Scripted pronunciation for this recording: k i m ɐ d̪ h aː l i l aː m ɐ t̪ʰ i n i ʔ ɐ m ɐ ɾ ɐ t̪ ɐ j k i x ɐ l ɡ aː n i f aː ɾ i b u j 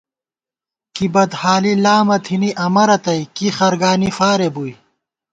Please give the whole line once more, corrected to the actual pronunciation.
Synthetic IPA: k i b ɐ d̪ h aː l i l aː m ɐ t̪ʰ i n i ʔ ɐ m ɐ ɾ ɐ t̪ ɐ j k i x ɐ ɾ ɡ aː n i f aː ɾ e b u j